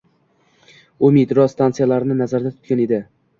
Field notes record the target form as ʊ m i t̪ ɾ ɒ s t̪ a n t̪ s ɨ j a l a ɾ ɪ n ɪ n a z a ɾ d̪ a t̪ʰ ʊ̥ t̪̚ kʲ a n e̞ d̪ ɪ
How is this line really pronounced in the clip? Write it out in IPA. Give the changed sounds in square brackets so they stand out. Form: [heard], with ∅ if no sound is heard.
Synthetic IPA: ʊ m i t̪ ɾ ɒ s t̪ a n t̪ s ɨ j a l a ɾ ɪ n ɪ n a z a ɾ d̪ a t̪ʰ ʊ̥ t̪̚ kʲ a n e̞ d̪ ɪ